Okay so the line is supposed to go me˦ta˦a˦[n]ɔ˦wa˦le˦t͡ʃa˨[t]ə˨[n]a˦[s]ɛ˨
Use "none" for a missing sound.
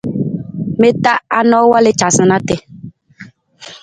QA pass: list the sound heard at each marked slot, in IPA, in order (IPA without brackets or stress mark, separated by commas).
n, s, n, t